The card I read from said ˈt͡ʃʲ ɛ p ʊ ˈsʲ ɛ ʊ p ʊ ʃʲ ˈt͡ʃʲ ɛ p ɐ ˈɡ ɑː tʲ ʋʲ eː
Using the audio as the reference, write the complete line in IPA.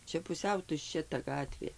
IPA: ˈt͡ʃʲ ɛ p ʊ ˈsʲ ɛ ʊ t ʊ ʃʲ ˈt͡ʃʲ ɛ t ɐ ˈɡ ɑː tʲ ʋʲ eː